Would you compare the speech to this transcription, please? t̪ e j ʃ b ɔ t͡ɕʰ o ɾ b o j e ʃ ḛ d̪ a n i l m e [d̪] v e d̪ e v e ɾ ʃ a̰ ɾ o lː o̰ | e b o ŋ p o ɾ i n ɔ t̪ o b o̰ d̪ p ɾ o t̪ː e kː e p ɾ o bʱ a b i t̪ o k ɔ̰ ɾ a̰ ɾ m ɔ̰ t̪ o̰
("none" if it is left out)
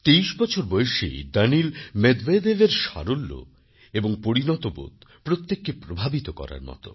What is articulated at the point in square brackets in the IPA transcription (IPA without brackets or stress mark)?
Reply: d̪